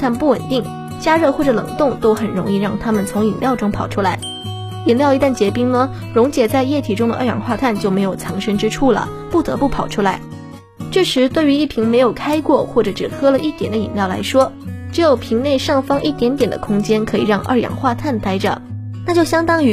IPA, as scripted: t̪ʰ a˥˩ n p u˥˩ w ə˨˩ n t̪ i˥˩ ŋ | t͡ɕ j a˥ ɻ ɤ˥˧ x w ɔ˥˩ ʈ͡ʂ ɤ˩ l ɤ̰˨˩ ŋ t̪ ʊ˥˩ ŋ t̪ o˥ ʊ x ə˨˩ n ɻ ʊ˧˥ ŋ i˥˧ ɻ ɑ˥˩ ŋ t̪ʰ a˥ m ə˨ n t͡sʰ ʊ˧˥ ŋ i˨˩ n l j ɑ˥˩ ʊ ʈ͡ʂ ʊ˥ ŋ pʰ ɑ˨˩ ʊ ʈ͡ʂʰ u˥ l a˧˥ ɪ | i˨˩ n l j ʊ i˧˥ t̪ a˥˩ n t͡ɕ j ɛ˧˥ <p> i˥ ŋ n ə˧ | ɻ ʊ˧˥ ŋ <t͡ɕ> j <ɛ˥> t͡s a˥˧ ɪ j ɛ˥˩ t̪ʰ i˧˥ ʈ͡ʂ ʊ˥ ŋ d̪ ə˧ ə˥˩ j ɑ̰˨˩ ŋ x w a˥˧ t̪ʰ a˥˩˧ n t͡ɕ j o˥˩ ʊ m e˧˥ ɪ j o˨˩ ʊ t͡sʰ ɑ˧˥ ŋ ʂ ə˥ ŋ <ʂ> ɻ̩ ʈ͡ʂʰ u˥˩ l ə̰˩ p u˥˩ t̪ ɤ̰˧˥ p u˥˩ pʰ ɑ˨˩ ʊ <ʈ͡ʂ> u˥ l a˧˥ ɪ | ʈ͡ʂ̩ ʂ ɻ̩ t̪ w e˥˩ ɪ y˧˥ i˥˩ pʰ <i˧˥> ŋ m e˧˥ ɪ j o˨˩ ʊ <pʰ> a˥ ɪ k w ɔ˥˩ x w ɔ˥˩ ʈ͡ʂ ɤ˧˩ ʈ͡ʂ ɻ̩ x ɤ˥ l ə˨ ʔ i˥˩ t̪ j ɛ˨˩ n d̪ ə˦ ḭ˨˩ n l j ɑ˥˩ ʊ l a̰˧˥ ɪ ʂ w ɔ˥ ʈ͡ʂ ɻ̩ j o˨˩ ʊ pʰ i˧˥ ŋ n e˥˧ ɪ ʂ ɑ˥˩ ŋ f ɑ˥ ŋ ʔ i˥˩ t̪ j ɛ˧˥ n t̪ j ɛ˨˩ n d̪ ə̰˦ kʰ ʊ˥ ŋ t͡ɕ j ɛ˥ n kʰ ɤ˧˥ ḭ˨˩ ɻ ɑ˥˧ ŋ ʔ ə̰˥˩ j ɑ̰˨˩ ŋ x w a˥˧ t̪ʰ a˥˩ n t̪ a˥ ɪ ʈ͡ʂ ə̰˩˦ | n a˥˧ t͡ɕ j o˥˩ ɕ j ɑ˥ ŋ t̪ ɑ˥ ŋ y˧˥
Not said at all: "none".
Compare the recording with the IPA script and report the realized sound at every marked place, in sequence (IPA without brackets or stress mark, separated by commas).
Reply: p, t͡ɕ, ɛ˨˩, ʈ͡ʂ, ʈ͡ʂʰ, i˧˥, kʰ